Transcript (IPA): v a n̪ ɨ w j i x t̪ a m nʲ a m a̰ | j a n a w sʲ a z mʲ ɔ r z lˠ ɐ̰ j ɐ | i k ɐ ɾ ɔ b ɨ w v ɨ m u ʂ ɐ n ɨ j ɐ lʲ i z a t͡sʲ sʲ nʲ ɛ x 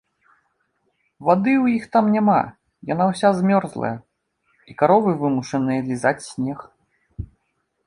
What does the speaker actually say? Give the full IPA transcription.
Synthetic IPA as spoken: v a d̪ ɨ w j i x t̪ a m nʲ a m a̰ | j a n a w sʲ a z mʲ ɔ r z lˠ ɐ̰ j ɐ | i k a ɾ ɔ v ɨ v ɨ m u ʂ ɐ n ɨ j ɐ lʲ i z a t͡sʲ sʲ nʲ ɛ x